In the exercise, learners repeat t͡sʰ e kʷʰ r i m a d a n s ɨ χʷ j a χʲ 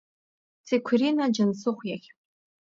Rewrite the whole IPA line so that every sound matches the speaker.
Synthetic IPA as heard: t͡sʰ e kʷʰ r i n a d͡ʒ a n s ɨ χʷ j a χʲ